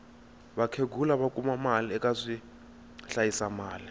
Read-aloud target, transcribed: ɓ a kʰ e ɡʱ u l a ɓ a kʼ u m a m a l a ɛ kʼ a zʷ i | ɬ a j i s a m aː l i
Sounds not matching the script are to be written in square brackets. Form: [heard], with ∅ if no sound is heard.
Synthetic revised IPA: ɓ a kʰ e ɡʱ u l a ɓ a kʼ u m a m a l [i] ɛ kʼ a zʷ i | ɬ a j i s a m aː l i